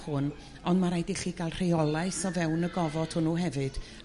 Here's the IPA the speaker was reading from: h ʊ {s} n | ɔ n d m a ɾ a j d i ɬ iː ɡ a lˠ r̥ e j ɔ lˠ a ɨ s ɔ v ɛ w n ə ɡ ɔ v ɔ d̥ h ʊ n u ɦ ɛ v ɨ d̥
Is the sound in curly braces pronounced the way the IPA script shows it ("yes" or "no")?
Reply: no